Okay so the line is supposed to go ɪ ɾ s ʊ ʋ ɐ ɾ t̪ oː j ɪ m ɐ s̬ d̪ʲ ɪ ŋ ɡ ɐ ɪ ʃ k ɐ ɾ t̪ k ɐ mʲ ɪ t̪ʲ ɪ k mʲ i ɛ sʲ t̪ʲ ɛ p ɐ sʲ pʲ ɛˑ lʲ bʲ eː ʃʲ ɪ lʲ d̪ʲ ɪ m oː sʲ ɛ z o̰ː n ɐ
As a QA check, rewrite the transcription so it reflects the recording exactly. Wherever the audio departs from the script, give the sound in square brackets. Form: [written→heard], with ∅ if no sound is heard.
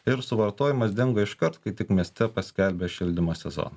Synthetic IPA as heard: ɪ ɾ s ʊ ʋ ɐ ɾ t̪ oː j ɪ m ɐ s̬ d̪ʲ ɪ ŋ ɡ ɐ ɪ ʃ k ɐ ɾ t̪ k ɐ [mʲ→∅] ɪ t̪ʲ ɪ k mʲ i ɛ sʲ t̪ʲ ɛ p ɐ sʲ [pʲ→kʲ] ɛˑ lʲ bʲ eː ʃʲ ɪ lʲ d̪ʲ ɪ m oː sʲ ɛ z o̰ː n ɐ

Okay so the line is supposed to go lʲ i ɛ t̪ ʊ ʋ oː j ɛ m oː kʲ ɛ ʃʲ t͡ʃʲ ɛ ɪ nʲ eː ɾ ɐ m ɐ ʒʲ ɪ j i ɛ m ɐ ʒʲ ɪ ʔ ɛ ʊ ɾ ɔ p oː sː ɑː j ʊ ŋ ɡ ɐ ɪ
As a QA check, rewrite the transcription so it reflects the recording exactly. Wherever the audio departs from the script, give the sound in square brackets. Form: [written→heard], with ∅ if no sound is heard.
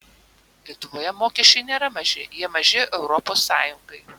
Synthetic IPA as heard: lʲ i ɛ t̪ ʊ ʋ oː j ɛ m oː kʲ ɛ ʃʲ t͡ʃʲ ɛ ɪ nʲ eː ɾ ɐ m ɐ ʒʲ ɪ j i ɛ m ɐ ʒʲ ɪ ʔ ɛ ʊ ɾ ɔ p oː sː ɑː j ʊ ŋ ɡ ɐ ɪ

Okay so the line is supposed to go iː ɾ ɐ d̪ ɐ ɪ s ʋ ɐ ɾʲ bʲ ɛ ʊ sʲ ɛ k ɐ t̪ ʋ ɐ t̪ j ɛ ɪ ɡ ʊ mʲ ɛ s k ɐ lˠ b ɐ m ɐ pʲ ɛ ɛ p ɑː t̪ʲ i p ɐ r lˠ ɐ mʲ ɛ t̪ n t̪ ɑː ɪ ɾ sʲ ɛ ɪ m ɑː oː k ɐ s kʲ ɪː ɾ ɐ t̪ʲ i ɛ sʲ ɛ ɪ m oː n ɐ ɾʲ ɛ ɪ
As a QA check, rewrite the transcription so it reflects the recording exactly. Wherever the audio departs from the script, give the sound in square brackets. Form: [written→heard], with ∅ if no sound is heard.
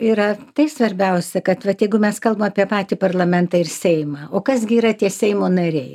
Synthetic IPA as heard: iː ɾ ɐ [d̪→t̪] ɐ ɪ s ʋ ɐ ɾʲ bʲ ɛ ʊ sʲ ɛ k ɐ t̪ ʋ ɐ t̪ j ɛ ɪ ɡ ʊ mʲ ɛ s k ɐ lˠ b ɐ m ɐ pʲ [ɛ→i] ɛ p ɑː t̪ʲ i p ɐ r lˠ ɐ mʲ ɛ [t̪→∅] n t̪ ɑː ɪ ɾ sʲ ɛ ɪ m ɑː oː k ɐ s [kʲ→ɡʲ] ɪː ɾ ɐ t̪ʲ i ɛ sʲ ɛ ɪ m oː n ɐ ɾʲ ɛ ɪ

